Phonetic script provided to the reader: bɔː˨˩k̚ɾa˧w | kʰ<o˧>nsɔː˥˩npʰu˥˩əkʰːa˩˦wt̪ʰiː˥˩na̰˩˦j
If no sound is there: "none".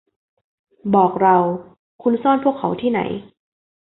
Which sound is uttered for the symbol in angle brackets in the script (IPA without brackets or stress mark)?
u˧